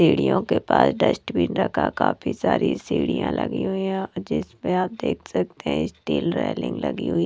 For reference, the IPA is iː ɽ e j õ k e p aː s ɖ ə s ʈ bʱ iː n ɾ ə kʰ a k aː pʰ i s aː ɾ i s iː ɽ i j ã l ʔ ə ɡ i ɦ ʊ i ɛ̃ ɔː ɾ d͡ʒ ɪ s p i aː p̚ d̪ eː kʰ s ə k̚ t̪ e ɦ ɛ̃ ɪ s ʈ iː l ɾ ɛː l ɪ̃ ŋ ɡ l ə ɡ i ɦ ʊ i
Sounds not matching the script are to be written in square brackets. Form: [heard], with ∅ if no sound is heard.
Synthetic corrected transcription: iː ɽ [i] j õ k e p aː s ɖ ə s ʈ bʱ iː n ɾ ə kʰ a k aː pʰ i s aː ɾ i s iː ɽ i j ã l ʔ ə ɡ i ɦ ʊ i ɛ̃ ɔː ɾ d͡ʒ ɪ s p [e] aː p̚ d̪ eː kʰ s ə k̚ t̪ e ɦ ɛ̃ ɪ s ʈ iː l ɾ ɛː l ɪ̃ ŋ ɡ l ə ɡ i ɦ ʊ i